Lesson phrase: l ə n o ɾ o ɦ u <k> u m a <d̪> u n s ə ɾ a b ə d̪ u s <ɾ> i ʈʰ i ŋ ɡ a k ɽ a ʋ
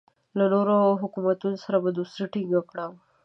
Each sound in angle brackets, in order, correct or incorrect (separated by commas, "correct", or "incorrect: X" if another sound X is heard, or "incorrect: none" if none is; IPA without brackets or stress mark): correct, incorrect: t̪, correct